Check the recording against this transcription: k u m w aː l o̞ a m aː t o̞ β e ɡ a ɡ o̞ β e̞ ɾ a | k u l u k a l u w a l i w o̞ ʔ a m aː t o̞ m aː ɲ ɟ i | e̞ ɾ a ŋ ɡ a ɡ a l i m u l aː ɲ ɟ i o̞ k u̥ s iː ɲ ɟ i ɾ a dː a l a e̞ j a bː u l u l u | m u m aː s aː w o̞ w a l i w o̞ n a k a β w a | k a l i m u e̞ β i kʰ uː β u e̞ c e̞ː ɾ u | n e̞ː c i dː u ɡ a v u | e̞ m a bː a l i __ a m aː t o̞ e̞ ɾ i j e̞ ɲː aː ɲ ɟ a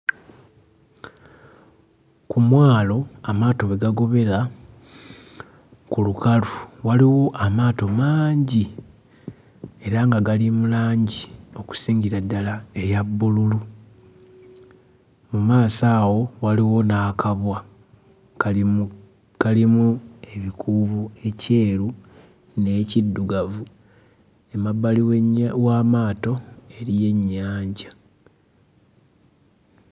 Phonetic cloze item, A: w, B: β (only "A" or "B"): A